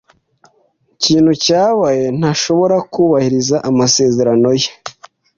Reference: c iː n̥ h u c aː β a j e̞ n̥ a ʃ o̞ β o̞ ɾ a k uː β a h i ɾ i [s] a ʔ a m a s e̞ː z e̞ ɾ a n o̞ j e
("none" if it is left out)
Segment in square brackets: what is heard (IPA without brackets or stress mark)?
z